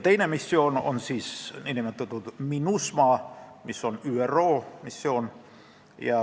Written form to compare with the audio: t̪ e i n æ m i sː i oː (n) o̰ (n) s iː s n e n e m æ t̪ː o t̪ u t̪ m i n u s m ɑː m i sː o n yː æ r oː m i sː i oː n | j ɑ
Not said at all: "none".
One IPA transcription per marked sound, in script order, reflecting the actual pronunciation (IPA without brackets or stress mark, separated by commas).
n, n